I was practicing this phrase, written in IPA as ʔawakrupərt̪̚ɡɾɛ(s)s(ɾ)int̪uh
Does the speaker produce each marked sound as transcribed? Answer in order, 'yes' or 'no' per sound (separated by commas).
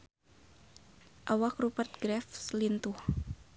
no, no